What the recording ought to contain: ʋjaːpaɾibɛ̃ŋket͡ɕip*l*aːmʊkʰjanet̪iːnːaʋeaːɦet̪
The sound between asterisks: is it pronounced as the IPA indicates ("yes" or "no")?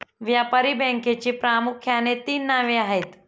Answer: no